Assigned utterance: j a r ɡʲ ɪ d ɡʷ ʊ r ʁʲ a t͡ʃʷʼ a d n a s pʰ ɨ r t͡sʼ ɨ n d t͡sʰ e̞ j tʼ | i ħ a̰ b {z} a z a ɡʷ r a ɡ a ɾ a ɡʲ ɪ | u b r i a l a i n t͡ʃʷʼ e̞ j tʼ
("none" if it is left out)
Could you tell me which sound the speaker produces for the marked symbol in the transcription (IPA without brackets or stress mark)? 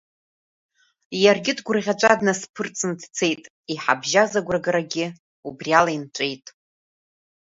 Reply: ʒ